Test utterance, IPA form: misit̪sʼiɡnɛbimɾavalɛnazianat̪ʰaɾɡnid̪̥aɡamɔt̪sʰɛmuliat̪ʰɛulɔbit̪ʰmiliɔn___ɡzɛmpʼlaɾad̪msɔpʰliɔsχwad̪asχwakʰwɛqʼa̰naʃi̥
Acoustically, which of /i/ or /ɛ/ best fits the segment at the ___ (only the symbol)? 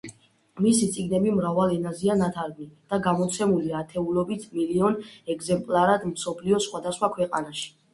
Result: ɛ